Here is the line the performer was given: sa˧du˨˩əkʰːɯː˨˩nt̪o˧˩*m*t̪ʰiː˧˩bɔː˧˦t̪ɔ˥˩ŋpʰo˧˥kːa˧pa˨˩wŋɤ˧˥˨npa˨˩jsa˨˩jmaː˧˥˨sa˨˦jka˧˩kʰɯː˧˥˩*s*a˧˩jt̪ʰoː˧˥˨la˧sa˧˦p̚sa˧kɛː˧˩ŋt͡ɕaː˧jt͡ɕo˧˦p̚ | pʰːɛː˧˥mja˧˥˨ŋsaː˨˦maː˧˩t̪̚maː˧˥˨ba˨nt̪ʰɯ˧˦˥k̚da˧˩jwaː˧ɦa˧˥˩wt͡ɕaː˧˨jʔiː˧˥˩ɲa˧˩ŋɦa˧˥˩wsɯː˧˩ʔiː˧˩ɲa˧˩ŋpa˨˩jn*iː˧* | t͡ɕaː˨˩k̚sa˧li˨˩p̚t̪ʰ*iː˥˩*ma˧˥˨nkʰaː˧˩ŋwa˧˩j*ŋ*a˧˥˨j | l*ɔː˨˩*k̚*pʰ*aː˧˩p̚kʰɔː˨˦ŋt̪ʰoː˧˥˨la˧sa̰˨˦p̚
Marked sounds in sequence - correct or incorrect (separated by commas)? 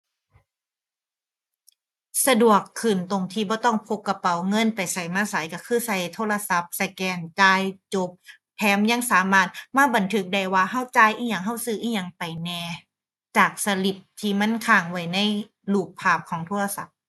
incorrect, correct, incorrect, incorrect, incorrect, incorrect, correct